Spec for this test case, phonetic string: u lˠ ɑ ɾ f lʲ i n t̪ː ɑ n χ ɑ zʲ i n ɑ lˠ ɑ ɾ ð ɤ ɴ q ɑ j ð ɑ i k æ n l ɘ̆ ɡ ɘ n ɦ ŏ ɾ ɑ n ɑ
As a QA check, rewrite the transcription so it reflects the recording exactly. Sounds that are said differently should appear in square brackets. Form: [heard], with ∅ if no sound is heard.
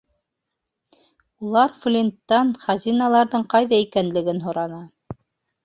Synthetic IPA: u lˠ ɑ ɾ f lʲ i n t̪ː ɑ n χ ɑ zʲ i n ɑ lˠ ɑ ɾ ð ɤ ɴ q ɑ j ð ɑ i k æ n l ɘ̆ ɡ ɘ n ɦ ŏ ɾ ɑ n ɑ